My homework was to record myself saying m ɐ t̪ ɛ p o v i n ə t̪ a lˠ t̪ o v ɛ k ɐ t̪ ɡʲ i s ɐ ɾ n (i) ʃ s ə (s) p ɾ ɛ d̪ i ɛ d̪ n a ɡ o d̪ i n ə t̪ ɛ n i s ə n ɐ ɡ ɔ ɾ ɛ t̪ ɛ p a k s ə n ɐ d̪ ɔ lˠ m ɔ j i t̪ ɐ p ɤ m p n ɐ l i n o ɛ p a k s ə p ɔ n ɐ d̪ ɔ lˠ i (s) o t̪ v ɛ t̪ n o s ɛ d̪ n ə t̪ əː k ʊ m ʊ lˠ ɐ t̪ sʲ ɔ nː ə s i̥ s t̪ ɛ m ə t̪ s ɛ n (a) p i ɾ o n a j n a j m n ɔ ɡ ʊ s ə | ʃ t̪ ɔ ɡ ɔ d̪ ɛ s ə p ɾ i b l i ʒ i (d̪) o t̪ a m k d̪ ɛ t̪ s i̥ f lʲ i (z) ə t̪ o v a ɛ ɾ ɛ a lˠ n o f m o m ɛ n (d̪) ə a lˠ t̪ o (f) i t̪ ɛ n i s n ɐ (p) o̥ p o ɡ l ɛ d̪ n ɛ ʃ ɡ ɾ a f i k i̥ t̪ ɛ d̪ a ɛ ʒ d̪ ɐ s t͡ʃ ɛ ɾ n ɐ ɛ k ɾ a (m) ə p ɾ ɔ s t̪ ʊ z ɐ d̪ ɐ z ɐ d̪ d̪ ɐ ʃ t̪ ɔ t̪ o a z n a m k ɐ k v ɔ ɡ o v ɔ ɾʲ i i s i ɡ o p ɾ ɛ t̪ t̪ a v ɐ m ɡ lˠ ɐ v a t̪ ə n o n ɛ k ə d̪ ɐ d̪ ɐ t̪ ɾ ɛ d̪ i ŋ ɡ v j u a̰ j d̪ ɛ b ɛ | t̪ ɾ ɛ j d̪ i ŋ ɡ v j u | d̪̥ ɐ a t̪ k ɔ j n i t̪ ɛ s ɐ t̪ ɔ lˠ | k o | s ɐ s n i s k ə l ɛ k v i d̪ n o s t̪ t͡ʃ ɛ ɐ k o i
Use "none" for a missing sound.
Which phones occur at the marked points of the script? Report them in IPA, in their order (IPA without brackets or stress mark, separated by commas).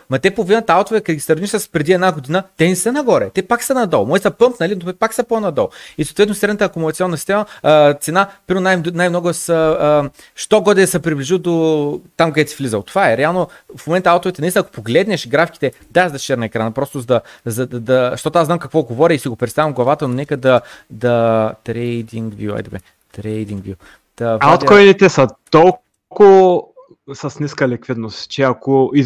i, s, s, a, d̪, z, t̪, v, k, n